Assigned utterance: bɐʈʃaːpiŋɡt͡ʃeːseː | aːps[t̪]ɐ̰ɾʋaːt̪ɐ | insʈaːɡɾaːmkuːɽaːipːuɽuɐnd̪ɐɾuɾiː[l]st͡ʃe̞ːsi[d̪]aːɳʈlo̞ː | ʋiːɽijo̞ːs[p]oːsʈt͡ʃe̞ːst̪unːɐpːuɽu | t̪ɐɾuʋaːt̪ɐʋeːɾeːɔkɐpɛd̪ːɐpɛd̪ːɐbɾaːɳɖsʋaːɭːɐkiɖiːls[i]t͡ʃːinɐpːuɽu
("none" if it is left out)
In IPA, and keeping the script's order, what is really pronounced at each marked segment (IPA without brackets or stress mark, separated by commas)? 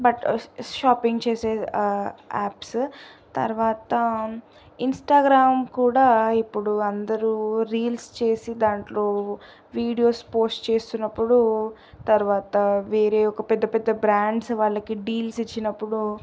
t̪, l, d̪, p, i